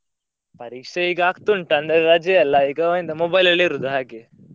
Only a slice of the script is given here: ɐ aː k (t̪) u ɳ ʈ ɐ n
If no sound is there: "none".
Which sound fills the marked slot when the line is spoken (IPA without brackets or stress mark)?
t̪